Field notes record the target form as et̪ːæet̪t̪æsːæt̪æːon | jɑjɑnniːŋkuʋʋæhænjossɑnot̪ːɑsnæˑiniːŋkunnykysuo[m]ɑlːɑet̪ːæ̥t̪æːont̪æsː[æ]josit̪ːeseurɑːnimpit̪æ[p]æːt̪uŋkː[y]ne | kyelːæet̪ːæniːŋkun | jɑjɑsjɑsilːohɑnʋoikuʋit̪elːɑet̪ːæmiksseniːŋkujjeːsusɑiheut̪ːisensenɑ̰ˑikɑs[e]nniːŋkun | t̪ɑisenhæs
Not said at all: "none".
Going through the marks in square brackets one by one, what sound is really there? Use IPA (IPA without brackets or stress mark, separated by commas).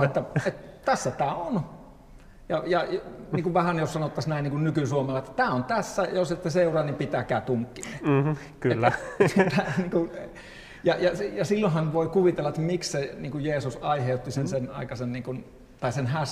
m, æ, k, i, e